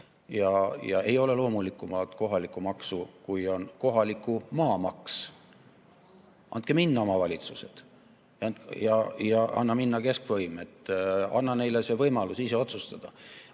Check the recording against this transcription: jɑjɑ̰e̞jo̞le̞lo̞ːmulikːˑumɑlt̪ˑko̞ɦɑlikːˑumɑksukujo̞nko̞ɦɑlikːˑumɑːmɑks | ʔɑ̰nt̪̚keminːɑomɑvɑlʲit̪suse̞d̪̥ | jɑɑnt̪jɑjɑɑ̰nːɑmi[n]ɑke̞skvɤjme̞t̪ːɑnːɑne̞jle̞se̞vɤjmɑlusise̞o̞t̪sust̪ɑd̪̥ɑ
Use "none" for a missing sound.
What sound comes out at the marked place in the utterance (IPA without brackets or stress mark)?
nː